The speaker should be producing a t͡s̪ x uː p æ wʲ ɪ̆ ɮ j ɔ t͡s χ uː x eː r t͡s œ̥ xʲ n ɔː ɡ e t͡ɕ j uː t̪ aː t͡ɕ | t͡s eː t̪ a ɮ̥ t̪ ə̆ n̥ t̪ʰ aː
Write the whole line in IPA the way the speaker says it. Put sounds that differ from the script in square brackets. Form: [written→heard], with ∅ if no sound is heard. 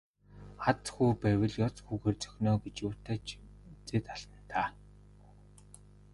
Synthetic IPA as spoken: a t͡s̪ x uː p æ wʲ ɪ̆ ɮ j ɔ t͡s [χ→x] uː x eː r t͡s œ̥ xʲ n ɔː ɡ e t͡ɕ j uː t̪ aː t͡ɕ | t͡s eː t̪ a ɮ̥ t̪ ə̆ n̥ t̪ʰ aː